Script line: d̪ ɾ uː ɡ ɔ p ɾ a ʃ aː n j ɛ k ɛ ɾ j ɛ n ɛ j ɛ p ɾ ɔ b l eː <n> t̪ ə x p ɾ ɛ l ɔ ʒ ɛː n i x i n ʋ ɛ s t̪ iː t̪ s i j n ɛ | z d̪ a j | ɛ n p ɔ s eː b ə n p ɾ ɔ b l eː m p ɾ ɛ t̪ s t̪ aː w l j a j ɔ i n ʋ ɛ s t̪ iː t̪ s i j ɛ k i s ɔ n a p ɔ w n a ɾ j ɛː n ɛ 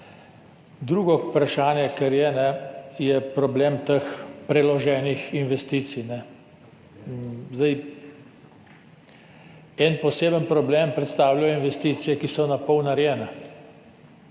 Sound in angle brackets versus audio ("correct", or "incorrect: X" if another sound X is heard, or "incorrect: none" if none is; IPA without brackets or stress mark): incorrect: m